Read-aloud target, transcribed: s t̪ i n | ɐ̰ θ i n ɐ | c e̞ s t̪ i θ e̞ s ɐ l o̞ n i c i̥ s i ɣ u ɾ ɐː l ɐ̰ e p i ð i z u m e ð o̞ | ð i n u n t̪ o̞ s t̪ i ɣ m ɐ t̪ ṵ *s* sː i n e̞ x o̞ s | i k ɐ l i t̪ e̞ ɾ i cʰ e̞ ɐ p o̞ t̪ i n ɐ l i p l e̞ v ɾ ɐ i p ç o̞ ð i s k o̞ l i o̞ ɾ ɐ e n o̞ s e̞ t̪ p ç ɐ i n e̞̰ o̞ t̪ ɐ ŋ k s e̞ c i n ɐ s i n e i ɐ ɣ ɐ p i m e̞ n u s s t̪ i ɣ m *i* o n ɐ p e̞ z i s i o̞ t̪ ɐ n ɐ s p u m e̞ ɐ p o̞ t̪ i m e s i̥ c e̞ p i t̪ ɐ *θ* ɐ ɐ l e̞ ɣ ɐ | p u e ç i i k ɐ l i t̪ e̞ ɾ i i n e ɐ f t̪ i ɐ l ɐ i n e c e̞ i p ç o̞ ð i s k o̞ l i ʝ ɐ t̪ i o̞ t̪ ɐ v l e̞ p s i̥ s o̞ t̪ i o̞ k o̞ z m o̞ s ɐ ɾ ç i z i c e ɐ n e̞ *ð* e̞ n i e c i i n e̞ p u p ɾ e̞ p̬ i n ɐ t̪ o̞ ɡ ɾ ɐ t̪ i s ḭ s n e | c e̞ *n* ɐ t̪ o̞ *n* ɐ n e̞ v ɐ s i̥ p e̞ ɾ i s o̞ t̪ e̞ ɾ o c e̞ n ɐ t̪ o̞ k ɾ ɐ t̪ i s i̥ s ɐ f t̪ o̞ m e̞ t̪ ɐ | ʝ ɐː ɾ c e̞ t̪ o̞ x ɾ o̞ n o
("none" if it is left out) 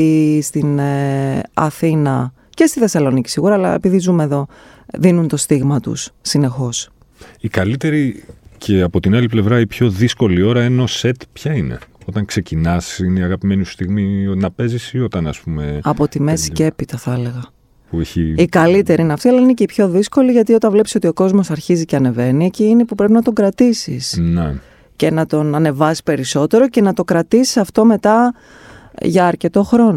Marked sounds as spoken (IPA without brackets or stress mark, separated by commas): s, i, θ, v, n, n